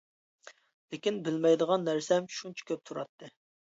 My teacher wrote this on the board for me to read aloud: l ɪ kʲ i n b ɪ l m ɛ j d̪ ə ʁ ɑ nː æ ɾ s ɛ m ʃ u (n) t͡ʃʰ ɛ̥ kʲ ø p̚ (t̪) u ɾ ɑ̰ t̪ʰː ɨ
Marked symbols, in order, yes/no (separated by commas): yes, no